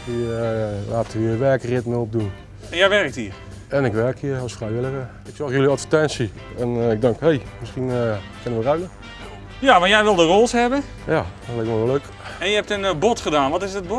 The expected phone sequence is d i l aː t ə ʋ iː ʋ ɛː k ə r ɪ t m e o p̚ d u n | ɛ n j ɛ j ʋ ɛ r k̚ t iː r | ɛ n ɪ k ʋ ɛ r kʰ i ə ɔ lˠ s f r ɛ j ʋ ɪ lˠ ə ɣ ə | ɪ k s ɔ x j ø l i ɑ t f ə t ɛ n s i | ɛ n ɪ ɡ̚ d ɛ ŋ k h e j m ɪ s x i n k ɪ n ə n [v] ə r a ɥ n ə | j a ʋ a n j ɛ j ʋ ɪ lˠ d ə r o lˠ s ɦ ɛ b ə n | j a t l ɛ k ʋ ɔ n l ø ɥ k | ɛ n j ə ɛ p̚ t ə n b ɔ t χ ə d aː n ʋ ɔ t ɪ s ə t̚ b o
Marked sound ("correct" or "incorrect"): incorrect